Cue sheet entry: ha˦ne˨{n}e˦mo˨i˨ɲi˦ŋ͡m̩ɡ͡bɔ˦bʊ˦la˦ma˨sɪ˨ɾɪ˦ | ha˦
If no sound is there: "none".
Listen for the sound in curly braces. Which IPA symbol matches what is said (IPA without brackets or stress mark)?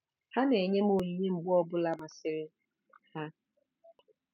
ɲ